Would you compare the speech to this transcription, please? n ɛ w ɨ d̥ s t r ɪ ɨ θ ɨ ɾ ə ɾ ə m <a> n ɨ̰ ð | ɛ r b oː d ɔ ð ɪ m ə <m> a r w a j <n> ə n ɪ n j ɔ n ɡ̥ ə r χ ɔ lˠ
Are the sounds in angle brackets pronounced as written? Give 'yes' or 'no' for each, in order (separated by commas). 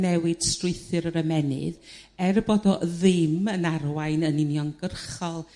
no, no, yes